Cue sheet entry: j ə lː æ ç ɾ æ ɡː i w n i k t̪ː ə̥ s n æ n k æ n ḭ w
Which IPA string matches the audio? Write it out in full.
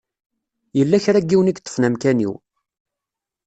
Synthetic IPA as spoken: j ə lː æ ç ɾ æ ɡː i w n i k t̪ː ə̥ f n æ m k æ n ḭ w